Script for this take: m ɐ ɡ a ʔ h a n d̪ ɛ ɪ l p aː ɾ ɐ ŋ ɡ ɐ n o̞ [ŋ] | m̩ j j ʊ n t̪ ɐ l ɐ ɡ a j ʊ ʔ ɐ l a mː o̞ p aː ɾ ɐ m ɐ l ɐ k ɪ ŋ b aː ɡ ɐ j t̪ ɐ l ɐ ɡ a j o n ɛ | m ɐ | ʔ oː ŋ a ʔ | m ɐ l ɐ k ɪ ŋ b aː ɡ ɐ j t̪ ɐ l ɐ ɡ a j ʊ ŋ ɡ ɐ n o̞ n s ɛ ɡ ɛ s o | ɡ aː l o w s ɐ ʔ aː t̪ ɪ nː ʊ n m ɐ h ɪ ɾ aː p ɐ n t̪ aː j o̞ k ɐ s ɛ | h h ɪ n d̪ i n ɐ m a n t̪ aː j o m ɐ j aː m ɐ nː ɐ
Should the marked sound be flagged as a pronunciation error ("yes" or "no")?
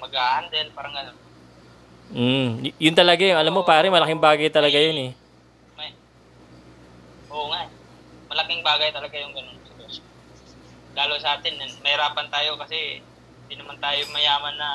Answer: yes